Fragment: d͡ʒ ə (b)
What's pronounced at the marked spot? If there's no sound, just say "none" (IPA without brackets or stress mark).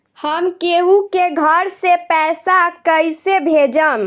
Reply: m